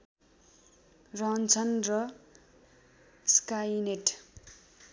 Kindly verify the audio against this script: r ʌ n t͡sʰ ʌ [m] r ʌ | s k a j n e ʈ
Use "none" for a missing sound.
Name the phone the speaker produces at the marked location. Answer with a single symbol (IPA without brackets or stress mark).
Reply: n